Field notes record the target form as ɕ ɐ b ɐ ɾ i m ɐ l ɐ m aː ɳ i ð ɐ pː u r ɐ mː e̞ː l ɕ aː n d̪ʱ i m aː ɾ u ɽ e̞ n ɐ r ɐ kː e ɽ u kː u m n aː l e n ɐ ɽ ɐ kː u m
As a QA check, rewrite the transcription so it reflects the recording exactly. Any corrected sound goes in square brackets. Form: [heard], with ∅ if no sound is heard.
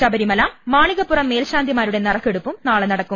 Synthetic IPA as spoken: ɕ ɐ b ɐ ɾ i m ɐ l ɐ m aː ɳ i [ɣ] ɐ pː u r ɐ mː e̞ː l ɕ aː n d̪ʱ i m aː ɾ u ɽ e̞ n ɐ r ɐ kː e ɽ u [pː] u m n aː [ɭ] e n ɐ ɽ ɐ kː u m